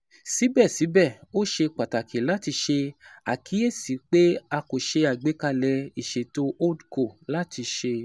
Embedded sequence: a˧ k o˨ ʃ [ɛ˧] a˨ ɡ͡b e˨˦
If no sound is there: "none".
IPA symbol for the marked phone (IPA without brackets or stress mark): e˧